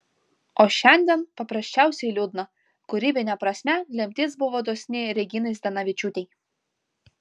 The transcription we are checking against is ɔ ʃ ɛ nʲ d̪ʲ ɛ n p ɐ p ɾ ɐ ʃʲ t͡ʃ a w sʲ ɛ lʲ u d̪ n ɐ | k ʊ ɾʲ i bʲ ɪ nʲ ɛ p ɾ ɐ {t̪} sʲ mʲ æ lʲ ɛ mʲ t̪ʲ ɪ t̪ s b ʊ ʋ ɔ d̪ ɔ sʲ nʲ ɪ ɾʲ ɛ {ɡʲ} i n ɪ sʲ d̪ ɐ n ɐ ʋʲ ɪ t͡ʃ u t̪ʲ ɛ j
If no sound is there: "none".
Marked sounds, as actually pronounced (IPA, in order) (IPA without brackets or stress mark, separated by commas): none, ɡʲ